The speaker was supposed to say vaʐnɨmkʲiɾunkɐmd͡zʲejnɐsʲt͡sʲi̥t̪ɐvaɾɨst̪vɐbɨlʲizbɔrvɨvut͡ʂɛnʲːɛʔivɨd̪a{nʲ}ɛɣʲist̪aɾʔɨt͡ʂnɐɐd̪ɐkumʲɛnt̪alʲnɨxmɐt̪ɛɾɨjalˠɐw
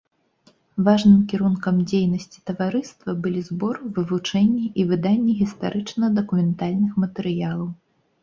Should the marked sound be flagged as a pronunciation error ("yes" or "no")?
yes